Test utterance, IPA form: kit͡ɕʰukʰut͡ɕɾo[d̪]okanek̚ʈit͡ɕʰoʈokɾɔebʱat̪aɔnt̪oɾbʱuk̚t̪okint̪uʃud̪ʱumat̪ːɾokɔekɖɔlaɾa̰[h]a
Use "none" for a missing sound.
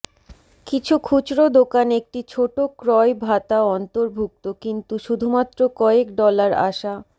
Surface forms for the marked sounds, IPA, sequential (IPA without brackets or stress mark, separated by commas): d̪, ʃ